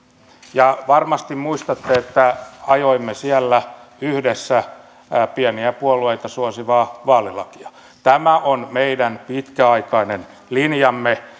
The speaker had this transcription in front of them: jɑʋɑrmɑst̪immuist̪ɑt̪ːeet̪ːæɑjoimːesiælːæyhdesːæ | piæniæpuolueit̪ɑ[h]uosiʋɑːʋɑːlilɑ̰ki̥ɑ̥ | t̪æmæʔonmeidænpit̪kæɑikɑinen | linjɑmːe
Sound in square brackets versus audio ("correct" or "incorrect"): incorrect